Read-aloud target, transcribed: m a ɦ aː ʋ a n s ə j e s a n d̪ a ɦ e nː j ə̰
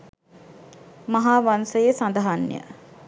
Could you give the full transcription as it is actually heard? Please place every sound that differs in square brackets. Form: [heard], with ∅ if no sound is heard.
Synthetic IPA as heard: m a ɦ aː ʋ a n s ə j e s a n d̪ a ɦ [a] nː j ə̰

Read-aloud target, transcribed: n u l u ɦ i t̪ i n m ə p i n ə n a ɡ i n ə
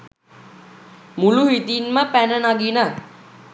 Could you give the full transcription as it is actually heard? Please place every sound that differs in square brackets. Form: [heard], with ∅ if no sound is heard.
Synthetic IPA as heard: [m] u l u ɦ i t̪ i n m ə p [æ] n ə n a ɡ i n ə

